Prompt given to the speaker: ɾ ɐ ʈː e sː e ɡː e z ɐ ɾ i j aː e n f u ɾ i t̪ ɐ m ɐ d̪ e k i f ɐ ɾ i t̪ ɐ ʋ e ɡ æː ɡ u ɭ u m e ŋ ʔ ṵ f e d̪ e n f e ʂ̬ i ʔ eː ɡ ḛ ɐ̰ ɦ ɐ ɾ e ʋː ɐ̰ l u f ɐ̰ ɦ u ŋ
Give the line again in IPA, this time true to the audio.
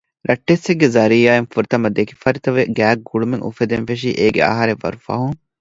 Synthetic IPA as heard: ɾ ɐ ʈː e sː e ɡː e z ɐ ɾ i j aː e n f u ɾ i t̪ ɐ m ɐ d̪ e k i f ɐ ɾ i t̪ ɐ ʋ e ɡ æː ɡ u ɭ u m e ŋ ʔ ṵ f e d̪ e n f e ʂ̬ i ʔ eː ɡ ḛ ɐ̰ ɦ ɐ ɾ e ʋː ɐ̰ ɾ u f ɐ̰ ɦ u ŋ